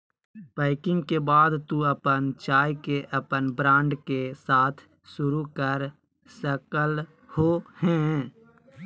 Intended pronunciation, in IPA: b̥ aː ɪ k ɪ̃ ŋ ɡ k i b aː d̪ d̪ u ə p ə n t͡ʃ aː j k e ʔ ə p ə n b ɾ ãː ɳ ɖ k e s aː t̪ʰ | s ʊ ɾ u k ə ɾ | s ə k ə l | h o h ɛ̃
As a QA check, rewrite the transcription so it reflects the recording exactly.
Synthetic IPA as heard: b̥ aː ɪ k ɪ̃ ŋ ɡ k e b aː d̪ t̪ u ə p ə n t͡ʃ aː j k e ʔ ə p ə n b ɾ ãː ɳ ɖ k e s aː t̪ʰ | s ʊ ɾ u k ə ɾ | s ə k ə l | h o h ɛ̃